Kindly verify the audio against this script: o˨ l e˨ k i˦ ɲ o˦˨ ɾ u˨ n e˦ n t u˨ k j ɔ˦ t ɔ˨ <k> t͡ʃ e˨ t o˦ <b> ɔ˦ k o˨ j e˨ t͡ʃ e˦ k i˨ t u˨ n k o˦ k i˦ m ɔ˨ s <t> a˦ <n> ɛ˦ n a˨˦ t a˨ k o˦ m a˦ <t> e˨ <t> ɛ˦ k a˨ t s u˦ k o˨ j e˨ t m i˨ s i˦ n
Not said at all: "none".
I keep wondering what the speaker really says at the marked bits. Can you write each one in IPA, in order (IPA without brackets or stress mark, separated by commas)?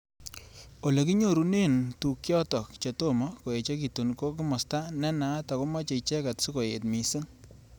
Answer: k, m, t, n, t͡ʃ, t͡ʃ